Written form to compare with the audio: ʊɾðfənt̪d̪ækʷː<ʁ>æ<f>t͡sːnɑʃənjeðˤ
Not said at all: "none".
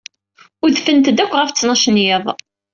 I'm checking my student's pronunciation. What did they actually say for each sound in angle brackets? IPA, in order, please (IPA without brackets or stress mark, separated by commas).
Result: ʁ, f